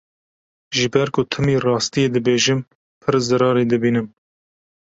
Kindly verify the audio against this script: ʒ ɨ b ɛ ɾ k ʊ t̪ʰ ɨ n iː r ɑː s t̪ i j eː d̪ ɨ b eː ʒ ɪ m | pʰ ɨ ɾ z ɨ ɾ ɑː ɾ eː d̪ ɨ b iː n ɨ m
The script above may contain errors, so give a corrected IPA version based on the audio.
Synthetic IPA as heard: ʒ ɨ b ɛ ɾ k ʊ t̪ʰ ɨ m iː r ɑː s t̪ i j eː d̪ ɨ b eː ʒ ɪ m | pʰ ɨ ɾ z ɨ ɾ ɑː ɾ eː d̪ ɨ b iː n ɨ m

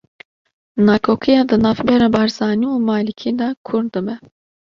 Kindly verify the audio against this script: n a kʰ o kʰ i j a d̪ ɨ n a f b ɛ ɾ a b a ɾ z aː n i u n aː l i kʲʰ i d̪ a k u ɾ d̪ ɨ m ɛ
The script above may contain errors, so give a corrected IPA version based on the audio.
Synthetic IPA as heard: n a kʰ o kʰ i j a d̪ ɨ n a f b ɛ ɾ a b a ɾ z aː n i u m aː l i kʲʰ i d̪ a kʰ u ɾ d̪ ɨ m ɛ

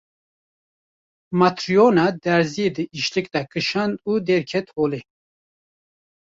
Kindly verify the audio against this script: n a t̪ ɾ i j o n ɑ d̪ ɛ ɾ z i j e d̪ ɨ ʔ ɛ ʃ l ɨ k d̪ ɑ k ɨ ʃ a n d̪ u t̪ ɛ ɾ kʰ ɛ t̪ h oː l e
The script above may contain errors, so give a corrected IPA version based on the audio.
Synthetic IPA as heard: m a t̪ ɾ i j o n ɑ d̪ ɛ ɾ z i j e d̪ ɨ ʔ i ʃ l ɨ k d̪ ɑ k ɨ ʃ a n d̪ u d̪ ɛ ɾ kʰ ɛ t̪ h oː l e

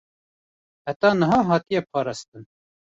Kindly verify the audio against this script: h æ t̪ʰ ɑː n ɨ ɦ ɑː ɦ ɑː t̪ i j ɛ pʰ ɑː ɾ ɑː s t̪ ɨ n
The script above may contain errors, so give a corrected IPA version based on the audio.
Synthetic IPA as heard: h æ t̪ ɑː n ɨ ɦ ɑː ɦ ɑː t̪ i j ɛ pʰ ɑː ɾ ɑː s t̪ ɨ n

